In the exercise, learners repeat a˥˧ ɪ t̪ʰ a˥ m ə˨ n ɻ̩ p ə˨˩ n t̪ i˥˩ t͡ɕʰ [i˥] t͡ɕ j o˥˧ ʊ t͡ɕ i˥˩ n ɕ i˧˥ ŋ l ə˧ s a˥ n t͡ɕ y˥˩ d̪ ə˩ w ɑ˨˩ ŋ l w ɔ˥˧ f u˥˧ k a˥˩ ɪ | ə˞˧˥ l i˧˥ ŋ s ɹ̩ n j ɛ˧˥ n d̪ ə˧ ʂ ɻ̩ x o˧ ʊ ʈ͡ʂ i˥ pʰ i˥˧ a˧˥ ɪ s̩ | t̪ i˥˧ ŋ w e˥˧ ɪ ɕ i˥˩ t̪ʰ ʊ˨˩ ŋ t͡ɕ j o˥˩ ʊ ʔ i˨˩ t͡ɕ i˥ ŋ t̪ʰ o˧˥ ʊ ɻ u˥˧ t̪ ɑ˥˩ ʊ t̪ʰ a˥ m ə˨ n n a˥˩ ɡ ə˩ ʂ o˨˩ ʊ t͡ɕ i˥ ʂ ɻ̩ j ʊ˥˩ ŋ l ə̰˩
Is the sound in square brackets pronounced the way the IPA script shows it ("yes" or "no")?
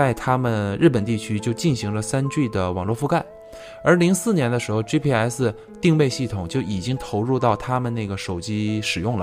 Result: no